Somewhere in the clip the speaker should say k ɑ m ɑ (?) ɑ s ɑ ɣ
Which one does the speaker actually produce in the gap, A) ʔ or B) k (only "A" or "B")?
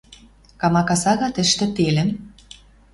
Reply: B